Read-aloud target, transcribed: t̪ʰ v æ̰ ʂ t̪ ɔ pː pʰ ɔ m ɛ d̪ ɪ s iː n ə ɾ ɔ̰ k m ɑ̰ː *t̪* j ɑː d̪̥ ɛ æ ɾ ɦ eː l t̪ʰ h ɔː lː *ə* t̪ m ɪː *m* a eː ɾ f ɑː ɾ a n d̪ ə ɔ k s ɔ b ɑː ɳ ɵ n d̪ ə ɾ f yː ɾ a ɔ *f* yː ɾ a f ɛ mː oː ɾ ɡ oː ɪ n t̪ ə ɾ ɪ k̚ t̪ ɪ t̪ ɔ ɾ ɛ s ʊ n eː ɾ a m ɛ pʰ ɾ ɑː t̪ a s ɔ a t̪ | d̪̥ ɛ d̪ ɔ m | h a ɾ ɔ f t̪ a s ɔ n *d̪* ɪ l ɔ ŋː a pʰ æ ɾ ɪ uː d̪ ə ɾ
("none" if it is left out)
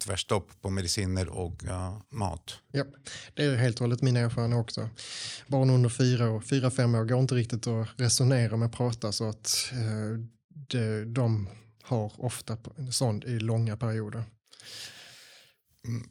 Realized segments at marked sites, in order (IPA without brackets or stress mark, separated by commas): t̪, ə, n, f, d̪